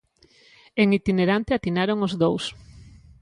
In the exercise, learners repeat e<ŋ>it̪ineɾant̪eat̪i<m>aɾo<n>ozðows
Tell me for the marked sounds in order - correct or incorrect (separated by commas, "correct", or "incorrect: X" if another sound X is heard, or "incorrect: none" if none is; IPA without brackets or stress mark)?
correct, incorrect: n, incorrect: ŋ